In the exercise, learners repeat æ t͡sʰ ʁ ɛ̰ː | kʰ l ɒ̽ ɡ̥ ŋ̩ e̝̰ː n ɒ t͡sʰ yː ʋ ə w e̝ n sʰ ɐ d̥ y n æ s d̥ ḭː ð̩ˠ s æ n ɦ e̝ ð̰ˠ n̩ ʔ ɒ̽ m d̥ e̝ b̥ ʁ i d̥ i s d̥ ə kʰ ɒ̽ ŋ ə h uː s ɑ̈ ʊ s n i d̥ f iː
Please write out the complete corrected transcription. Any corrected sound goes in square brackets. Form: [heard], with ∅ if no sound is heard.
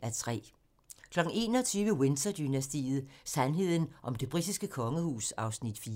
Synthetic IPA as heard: æ t͡sʰ ʁ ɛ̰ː | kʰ l ɒ̽ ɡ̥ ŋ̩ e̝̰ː n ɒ t͡sʰ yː ʋ ə w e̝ n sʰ ɐ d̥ y n æ s d̥ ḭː ð̩ˠ s æ n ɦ e̝ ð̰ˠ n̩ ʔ ɒ̽ m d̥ e̝ b̥ ʁ i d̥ i s [ɡ̥] ə kʰ ɒ̽ ŋ ə h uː s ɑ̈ ʊ s n i d̥ f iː